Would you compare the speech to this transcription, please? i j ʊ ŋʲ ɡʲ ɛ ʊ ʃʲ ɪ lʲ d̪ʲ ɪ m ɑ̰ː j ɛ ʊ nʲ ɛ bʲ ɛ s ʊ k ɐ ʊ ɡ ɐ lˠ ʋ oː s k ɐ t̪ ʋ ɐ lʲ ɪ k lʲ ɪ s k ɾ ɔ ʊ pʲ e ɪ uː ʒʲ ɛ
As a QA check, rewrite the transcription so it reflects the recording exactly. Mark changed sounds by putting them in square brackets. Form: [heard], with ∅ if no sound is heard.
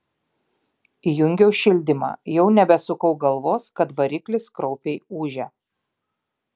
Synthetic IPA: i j ʊ ŋʲ ɡʲ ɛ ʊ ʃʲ ɪ lʲ d̪ʲ ɪ m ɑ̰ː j ɛ ʊ nʲ ɛ bʲ ɛ s ʊ k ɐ ʊ ɡ ɐ lˠ ʋ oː s k ɐ t̪ ʋ ɐ [ɾʲ] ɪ k lʲ ɪ s k ɾ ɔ ʊ pʲ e ɪ uː ʒʲ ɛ